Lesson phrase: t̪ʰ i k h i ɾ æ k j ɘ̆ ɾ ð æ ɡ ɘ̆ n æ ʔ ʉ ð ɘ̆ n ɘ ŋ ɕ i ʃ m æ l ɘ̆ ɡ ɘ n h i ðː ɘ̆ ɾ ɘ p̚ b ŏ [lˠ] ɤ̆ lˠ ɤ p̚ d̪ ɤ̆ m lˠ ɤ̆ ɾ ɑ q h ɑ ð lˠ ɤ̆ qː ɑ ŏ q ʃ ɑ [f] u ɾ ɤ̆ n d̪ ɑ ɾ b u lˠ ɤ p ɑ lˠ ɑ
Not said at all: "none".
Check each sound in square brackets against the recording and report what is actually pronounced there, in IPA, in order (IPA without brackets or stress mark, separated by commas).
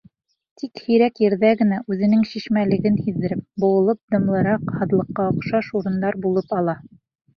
none, ʃ